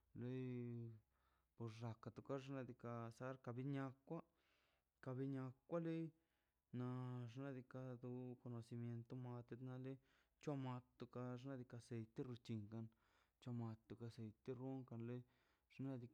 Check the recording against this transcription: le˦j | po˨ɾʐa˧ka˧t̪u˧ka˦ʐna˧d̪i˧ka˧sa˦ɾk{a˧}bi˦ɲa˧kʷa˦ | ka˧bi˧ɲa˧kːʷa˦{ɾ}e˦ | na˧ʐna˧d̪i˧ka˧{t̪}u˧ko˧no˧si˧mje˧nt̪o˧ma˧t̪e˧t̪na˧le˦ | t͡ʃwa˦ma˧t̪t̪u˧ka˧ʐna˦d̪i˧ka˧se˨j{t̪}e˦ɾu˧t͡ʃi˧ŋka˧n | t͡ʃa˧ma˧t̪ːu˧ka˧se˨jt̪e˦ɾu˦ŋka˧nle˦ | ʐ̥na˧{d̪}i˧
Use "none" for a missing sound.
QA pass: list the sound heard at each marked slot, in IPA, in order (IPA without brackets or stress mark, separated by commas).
a˧, l, d̪, t̪, d̪